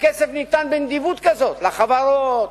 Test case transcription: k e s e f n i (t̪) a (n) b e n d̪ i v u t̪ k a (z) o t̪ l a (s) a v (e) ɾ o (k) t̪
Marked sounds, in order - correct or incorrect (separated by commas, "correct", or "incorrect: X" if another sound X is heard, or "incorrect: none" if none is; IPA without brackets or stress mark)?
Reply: correct, correct, correct, incorrect: χ, incorrect: a, incorrect: none